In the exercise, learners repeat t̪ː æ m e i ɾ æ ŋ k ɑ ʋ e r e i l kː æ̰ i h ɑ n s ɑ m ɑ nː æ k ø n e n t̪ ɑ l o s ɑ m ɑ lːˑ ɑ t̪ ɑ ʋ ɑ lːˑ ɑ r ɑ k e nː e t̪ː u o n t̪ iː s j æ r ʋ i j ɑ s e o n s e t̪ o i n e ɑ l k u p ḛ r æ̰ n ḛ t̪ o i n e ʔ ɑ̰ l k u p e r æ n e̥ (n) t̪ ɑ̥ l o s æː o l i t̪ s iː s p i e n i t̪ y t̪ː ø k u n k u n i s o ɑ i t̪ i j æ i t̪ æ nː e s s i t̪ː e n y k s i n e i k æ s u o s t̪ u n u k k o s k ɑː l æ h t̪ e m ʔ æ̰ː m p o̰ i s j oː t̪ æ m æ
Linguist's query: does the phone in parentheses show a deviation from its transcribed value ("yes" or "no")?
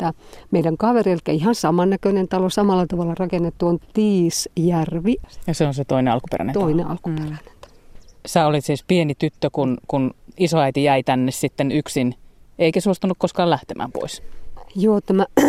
no